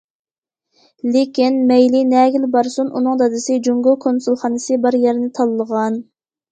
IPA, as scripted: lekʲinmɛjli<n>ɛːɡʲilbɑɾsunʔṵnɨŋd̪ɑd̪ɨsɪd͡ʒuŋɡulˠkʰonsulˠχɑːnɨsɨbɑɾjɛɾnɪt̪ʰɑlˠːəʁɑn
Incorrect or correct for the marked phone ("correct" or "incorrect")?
correct